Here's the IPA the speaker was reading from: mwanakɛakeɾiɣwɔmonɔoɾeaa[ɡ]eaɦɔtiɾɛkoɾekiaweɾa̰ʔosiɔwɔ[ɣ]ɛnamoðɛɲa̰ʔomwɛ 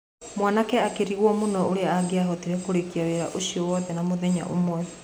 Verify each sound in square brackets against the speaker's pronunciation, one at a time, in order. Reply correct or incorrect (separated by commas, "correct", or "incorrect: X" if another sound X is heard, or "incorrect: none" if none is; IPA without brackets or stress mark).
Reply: correct, incorrect: ð